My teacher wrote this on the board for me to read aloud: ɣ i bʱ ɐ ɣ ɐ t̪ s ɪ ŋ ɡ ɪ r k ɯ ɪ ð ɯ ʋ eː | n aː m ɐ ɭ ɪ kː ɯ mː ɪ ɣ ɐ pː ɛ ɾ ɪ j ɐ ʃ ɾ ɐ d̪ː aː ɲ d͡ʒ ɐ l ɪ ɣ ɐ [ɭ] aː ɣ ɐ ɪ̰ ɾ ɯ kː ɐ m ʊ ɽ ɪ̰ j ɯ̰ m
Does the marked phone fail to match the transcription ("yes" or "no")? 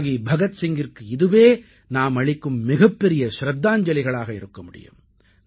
no